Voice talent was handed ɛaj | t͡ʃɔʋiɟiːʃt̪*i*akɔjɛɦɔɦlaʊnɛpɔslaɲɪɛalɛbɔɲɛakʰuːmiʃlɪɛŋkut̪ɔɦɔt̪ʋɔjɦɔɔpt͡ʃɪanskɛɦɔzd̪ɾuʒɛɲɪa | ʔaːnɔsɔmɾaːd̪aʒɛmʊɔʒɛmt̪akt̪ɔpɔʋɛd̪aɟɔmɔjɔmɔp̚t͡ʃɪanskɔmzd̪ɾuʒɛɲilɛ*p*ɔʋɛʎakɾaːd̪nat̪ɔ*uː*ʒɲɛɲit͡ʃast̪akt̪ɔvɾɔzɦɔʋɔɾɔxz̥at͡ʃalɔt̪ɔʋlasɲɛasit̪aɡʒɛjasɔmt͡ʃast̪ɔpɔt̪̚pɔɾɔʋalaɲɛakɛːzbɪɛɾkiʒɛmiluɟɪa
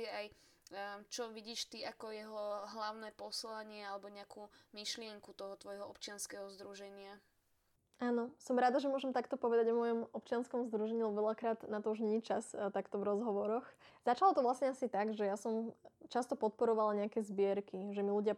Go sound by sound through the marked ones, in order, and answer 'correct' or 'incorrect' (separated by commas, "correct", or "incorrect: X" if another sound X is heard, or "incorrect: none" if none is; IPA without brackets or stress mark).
correct, incorrect: b, incorrect: u